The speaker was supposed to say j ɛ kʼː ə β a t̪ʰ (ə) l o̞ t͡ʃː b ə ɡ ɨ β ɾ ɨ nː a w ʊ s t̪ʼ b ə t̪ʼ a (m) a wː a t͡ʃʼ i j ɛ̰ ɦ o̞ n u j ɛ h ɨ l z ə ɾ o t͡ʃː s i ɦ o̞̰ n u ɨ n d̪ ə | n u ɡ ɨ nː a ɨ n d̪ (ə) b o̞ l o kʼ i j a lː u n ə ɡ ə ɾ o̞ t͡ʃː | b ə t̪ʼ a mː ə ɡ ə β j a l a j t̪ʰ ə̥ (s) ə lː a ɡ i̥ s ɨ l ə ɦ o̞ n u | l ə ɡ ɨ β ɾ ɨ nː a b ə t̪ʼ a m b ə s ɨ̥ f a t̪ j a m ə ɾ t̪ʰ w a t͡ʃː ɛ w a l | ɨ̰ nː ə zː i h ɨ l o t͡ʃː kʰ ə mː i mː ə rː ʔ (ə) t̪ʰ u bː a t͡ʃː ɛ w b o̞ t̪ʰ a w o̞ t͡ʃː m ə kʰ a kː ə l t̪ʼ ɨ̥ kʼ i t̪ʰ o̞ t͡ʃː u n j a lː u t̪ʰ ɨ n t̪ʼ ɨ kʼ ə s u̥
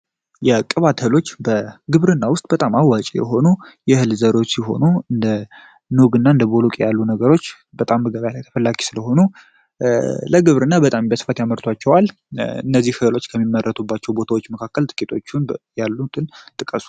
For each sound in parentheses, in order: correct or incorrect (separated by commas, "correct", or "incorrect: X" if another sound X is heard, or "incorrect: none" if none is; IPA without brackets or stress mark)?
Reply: correct, correct, correct, incorrect: f, correct